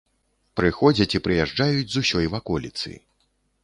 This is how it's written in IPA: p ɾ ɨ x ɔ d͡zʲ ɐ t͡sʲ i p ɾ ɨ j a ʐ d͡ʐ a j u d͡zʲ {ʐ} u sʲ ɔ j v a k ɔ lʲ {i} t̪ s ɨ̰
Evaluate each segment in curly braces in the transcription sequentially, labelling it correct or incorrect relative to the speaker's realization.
incorrect, correct

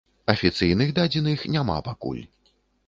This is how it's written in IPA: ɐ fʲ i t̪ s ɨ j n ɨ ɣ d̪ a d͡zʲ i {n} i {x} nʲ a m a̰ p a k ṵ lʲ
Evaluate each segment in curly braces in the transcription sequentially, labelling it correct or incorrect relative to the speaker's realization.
correct, correct

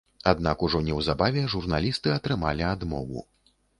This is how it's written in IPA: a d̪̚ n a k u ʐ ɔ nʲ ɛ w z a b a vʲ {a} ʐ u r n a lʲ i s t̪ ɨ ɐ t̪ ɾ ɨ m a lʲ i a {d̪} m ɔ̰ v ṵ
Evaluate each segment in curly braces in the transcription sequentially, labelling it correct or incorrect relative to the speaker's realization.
incorrect, correct

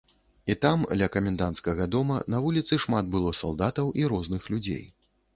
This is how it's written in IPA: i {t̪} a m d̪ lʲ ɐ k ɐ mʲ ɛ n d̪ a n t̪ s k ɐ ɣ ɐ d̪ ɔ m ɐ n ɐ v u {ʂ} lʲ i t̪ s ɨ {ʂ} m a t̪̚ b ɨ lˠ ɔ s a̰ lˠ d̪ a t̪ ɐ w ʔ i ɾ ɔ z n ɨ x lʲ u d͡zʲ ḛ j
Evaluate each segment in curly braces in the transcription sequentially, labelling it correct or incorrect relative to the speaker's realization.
correct, incorrect, correct

